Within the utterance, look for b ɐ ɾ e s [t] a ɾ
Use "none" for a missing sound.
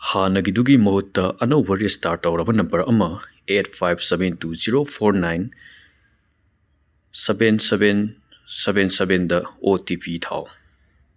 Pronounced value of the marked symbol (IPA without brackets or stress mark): t